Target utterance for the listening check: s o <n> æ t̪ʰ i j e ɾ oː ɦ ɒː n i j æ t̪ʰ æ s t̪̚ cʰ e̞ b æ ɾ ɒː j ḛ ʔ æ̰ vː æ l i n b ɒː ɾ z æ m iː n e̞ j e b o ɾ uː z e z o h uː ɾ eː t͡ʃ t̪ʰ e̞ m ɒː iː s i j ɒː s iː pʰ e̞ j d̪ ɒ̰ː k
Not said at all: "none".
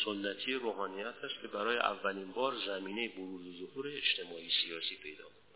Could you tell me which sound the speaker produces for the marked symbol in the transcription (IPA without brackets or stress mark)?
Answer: nː